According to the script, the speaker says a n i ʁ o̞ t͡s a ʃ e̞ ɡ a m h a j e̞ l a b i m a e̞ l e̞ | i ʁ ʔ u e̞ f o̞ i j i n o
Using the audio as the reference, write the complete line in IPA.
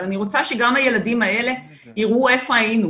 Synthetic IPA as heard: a n i ʁ o̞ t͡s a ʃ e̞ ɡ a m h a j e̞ l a d i m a e̞ l e̞ | i ʁ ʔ u e̞ f o̞ a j i n u